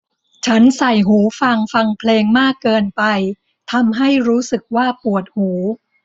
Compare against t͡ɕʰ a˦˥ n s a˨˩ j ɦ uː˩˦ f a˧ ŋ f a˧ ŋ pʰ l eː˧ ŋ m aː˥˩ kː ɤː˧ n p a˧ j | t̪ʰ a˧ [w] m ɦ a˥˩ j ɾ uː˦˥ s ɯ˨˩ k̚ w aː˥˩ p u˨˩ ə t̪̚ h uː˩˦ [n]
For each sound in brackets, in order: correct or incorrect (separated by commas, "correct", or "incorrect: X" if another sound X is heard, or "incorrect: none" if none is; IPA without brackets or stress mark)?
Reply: incorrect: none, incorrect: none